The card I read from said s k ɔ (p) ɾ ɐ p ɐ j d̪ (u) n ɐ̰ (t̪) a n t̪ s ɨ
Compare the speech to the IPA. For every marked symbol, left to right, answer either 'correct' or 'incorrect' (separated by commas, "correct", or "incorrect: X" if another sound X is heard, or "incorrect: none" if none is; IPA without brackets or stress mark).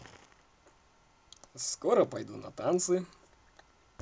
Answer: incorrect: none, correct, correct